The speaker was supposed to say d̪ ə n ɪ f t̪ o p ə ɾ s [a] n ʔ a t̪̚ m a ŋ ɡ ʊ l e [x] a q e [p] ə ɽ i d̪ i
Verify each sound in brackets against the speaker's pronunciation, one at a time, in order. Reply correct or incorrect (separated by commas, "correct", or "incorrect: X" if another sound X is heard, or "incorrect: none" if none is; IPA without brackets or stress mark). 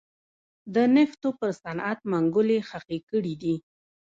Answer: correct, correct, incorrect: k